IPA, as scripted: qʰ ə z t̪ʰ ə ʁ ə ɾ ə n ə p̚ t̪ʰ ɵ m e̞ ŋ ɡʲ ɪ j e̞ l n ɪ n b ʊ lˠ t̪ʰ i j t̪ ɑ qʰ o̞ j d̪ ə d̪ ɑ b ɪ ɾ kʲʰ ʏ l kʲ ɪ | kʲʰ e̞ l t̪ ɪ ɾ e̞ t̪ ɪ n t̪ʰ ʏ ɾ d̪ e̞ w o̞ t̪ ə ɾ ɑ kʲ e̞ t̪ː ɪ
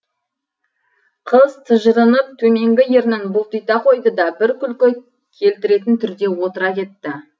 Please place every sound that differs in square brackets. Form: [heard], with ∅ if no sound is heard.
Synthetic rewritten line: qʰ ə z t̪ʰ ə [ʒ] ə ɾ ə n ə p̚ t̪ʰ ɵ m e̞ ŋ ɡʲ ɪ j e̞ [ɾ] n ɪ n b ʊ lˠ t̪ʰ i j t̪ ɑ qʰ o̞ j d̪ ə d̪ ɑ b ɪ ɾ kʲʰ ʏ l kʲ ɪ | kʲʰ e̞ l t̪ ɪ ɾ e̞ t̪ ɪ n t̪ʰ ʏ ɾ d̪ e̞ w o̞ t̪ ə ɾ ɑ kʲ e̞ t̪ː ɪ